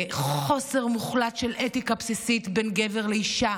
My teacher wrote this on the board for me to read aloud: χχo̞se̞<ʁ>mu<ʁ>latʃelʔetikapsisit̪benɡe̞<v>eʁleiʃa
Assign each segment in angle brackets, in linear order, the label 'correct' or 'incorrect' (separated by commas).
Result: correct, incorrect, correct